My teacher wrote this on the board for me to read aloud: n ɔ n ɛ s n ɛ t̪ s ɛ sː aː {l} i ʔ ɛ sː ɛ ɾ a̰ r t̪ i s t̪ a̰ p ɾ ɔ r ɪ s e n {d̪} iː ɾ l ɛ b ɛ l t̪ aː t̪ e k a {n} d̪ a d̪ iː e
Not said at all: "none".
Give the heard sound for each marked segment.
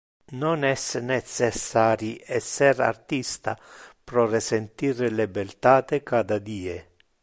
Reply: ɾ, t̪, none

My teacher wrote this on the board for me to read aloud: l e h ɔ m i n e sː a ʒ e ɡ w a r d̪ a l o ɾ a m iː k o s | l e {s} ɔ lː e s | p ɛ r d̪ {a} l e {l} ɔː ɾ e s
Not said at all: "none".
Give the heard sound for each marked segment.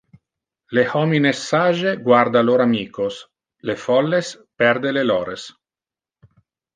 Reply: f, e, l

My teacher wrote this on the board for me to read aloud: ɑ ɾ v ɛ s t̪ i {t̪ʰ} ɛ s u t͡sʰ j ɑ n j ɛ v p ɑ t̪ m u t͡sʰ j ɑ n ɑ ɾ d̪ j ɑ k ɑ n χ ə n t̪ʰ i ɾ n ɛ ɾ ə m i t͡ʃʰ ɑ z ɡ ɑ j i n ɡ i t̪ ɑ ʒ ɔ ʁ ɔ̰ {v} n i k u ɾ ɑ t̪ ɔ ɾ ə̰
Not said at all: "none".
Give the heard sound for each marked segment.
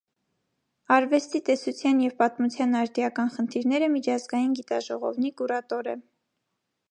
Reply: t̪, v

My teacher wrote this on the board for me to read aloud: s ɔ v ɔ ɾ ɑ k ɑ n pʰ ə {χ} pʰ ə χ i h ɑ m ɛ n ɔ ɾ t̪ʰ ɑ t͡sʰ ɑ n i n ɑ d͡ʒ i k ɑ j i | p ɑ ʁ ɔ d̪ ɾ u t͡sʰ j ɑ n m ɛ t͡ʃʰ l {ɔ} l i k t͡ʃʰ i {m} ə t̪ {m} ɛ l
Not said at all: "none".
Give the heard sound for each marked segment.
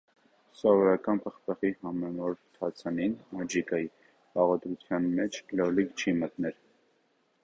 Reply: χ, ɔ, m, n

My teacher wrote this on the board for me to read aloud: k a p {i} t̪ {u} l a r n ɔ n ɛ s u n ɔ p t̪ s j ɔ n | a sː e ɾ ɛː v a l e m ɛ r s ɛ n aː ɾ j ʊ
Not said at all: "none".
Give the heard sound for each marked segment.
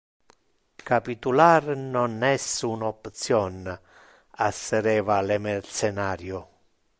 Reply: i, u

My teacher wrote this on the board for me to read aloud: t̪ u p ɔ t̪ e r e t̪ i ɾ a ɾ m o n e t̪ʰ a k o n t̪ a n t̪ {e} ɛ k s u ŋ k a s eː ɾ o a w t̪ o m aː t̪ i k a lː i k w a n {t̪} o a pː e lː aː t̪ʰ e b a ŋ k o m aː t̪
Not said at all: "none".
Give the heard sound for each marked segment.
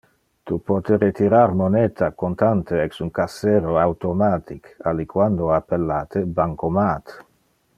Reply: e, d̪

